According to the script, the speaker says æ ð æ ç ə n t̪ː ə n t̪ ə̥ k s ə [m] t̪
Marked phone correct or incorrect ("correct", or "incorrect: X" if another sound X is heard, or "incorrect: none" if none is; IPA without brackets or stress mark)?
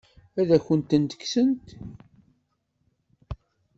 incorrect: n